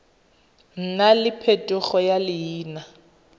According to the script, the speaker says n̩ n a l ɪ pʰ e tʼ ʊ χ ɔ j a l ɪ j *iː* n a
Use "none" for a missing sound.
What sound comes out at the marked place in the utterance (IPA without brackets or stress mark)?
iː